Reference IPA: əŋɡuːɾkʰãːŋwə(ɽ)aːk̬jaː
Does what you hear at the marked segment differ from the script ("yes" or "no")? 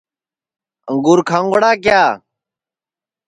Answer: no